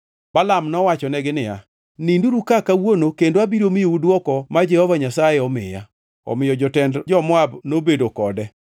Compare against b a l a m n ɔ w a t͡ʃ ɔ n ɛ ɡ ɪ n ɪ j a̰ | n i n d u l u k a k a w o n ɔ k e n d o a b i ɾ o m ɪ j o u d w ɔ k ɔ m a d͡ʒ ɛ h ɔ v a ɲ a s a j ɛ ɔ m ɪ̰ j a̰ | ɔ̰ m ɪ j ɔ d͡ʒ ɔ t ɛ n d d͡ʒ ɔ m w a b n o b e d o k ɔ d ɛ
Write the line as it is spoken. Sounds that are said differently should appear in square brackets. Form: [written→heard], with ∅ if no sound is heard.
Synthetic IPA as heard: b a l a m n ɔ w a t͡ʃ ɔ n ɛ ɡ ɪ n ɪ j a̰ | n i n d u [l→ɾ] u k a k a w o n [ɔ→o] k e n d o a b i ɾ o m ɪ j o u d w ɔ k ɔ m a d͡ʒ ɛ h ɔ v a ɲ a s a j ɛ ɔ m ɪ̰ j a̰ | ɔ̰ m ɪ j ɔ d͡ʒ ɔ t ɛ n d d͡ʒ ɔ m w a b n o b e d o k ɔ d ɛ

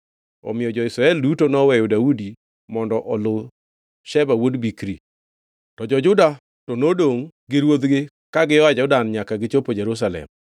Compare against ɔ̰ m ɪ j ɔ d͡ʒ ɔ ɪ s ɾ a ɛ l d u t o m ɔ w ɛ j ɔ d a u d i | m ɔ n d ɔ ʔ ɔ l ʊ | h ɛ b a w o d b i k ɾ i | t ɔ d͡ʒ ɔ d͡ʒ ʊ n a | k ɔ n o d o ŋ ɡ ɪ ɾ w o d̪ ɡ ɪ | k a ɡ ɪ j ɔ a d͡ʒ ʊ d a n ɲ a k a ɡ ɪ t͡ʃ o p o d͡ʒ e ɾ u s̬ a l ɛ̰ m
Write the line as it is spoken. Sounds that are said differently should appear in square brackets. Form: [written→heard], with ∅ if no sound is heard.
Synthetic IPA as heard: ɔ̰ m ɪ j ɔ d͡ʒ ɔ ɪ s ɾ a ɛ l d u t o [m→n] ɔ w ɛ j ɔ d a u d i | m ɔ n d ɔ ʔ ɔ l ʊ | [h→ʃ] ɛ b a w o d b i k ɾ i | t ɔ d͡ʒ ɔ d͡ʒ ʊ [n→d] a | [k→t] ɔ n o d o ŋ ɡ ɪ ɾ w o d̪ ɡ ɪ | k a ɡ ɪ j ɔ a d͡ʒ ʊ d a n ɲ a k a ɡ ɪ t͡ʃ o p o d͡ʒ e ɾ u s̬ a l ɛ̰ m

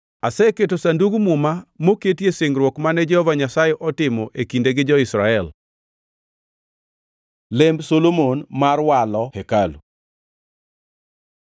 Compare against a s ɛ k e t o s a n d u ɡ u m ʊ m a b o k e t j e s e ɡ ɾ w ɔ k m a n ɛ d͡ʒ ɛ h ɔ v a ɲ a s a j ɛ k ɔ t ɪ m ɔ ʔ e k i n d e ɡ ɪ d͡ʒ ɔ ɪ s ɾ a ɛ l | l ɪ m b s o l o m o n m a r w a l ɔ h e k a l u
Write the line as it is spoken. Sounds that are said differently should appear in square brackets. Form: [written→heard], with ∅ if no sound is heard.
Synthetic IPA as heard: a s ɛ k e t o s a n d u ɡ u m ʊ m a [b→m] o k e t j e s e [ɡ→ŋ] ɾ w ɔ k m a n ɛ d͡ʒ ɛ h ɔ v a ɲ a s a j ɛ [k→ʔ] ɔ t ɪ m ɔ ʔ e k i n d e ɡ ɪ d͡ʒ ɔ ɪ s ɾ a ɛ l | l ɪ m b s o l o m o n m a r w a l ɔ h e k a l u

